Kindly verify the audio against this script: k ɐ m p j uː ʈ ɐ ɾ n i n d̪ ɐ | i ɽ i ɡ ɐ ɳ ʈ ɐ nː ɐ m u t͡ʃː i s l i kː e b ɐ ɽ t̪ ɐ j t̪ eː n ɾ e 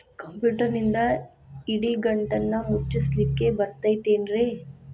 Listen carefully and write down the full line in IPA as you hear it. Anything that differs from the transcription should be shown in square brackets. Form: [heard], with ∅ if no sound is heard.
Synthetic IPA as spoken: k ɐ m p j uː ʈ ɐ ɾ n i n d̪ ɐ | i ɽ i ɡ ɐ ɳ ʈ ɐ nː ɐ m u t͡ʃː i s l i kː e b ɐ [ɾ] t̪ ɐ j t̪ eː n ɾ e